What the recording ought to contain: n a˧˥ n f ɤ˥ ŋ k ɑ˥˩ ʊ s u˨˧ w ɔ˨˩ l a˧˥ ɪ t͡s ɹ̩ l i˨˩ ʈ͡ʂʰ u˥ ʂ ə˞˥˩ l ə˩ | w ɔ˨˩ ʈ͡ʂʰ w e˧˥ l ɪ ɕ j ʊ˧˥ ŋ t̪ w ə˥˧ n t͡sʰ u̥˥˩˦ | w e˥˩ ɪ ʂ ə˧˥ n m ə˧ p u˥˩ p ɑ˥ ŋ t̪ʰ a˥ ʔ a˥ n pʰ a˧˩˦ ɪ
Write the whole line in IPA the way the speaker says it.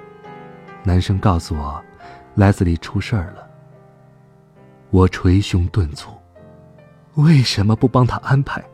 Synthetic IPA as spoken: n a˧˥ n ʂ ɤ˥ ŋ k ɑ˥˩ ʊ s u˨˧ w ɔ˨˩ l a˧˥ ɪ t͡s ɹ̩ l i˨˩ ʈ͡ʂʰ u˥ ʂ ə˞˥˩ l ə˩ | w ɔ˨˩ ʈ͡ʂʰ w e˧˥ ɪ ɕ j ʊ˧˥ ŋ t̪ w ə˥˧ n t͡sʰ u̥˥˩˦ | w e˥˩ ɪ ʂ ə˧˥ n m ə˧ p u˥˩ p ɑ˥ ŋ t̪ʰ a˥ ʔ a˥ n pʰ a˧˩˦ ɪ